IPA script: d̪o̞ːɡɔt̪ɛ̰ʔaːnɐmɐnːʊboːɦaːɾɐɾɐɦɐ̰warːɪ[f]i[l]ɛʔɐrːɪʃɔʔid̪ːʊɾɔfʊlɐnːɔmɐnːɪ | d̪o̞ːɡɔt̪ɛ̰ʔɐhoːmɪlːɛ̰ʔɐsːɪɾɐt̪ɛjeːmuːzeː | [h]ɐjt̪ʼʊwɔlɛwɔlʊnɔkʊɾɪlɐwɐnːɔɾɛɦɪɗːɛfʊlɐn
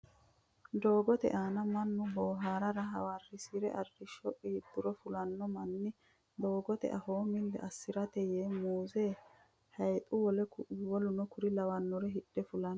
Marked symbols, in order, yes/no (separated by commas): no, no, yes